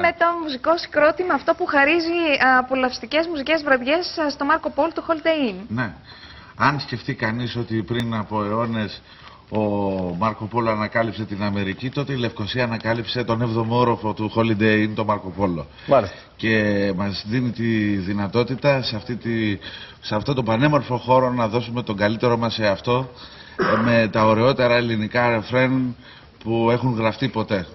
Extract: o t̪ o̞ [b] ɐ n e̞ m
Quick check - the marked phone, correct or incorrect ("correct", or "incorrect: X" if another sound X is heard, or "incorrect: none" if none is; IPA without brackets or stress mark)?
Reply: correct